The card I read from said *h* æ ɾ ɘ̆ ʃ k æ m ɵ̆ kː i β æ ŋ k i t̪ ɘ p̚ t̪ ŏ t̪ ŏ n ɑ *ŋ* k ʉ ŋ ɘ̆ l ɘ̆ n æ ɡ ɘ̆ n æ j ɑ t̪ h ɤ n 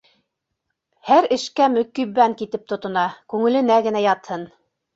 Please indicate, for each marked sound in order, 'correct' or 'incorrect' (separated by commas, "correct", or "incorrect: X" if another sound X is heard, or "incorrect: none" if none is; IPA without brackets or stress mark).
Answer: correct, incorrect: none